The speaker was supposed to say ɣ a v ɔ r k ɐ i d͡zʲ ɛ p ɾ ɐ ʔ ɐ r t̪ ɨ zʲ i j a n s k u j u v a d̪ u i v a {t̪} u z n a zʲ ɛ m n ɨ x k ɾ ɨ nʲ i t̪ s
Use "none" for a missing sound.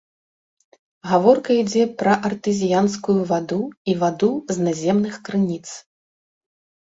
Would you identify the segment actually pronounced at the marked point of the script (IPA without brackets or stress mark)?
d̪